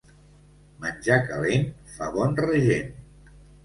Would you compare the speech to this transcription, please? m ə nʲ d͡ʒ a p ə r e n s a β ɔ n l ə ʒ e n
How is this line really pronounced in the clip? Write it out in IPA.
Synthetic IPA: m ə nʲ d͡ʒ a k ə l e n f a β ɔ n r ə ʒ e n